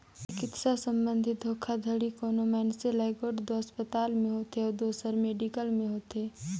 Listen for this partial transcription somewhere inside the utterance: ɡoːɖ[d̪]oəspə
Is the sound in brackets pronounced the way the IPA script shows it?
yes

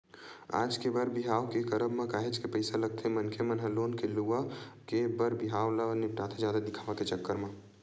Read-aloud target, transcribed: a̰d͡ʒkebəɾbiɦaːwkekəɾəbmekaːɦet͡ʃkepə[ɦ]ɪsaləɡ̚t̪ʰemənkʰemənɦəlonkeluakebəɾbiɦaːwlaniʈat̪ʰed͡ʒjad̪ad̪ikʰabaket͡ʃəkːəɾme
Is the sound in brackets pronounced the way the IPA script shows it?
no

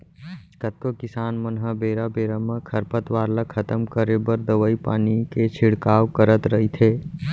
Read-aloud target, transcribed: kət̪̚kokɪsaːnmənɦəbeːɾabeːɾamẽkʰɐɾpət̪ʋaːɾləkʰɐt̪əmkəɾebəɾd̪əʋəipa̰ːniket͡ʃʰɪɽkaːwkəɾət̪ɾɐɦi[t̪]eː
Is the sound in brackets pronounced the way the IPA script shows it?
no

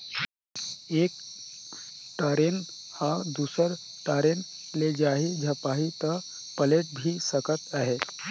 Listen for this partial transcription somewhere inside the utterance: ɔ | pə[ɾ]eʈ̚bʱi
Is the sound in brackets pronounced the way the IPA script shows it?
no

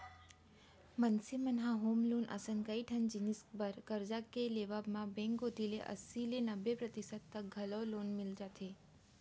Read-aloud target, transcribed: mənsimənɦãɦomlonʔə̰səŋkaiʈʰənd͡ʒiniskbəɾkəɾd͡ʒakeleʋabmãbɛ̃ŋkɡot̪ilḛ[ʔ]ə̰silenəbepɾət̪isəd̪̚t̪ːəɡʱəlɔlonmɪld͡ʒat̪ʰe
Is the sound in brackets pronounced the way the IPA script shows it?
yes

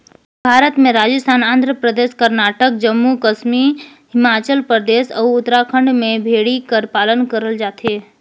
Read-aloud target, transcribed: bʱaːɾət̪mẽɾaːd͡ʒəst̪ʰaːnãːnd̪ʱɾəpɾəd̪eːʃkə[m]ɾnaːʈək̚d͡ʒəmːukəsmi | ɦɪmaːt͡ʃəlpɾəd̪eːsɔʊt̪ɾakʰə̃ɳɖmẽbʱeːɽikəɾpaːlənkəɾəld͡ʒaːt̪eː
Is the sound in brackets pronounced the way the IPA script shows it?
no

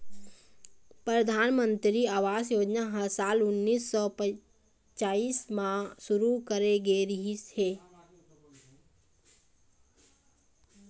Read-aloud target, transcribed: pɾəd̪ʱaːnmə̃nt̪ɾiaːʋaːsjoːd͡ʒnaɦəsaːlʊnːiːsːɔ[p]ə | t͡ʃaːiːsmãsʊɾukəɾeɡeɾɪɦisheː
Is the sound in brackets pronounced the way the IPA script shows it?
yes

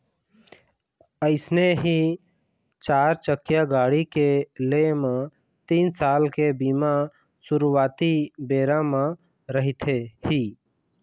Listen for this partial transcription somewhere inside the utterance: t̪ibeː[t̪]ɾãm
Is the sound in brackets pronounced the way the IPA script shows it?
no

